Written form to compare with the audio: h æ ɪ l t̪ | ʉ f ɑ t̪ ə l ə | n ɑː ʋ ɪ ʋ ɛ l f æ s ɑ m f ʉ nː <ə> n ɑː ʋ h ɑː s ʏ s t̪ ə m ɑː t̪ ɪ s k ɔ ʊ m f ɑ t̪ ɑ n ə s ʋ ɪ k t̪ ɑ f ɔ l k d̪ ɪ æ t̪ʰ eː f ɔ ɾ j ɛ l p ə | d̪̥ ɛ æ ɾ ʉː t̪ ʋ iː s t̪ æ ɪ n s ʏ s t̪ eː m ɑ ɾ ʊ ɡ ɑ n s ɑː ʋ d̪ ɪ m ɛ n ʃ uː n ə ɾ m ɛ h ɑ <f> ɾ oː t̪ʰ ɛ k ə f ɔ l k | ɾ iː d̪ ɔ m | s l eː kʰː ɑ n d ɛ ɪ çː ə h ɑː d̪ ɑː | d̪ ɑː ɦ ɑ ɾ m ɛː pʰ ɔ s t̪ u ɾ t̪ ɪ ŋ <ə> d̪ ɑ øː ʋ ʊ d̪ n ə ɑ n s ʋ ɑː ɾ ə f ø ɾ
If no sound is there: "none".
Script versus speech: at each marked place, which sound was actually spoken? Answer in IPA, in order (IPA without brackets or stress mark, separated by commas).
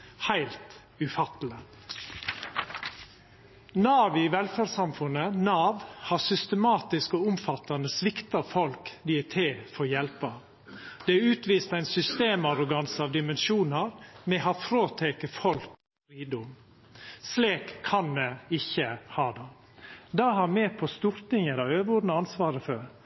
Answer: ə, f, ə